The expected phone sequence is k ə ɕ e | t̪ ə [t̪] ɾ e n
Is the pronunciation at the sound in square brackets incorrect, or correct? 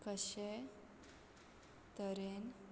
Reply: incorrect